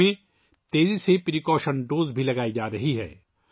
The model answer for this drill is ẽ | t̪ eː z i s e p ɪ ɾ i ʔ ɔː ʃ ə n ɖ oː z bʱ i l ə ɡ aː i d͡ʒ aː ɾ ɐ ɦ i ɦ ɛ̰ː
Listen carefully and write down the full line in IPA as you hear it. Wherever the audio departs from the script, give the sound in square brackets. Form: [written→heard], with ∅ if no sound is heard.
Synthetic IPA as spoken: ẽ | t̪ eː z i s e p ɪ ɾ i [ʔ→k] ɔː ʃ ə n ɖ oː z bʱ i l [ə→ɐ] ɡ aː i d͡ʒ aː ɾ ɐ ɦ i ɦ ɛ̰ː

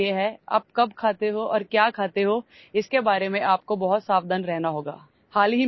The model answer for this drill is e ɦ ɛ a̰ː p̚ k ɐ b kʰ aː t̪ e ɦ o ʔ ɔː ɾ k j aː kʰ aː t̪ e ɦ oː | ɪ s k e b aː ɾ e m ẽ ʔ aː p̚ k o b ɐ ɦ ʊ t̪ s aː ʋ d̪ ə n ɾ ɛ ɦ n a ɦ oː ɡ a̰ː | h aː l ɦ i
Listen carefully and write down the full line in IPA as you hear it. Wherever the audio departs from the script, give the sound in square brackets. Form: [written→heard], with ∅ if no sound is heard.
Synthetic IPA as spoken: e ɦ ɛ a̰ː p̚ k ɐ b kʰ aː t̪ e ɦ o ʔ ɔː ɾ k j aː kʰ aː t̪ e ɦ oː | ɪ s k e b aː ɾ e m ẽ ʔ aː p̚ k o b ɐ ɦ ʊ t̪ s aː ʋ d̪ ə n ɾ ɛ ɦ n a ɦ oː ɡ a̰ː | h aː l ɦ i

